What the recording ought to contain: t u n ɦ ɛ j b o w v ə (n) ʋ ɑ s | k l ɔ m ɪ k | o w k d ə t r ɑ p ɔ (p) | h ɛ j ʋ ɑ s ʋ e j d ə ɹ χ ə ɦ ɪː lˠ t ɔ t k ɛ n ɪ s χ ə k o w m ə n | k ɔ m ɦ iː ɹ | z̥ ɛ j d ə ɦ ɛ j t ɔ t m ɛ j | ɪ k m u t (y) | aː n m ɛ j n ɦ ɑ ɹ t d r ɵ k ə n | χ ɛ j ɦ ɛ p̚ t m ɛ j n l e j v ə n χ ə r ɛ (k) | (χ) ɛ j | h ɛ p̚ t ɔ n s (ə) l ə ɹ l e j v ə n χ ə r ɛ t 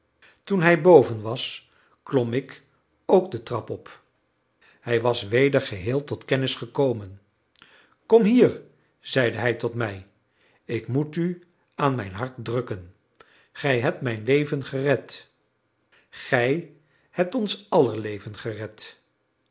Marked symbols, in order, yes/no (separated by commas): yes, yes, yes, no, yes, no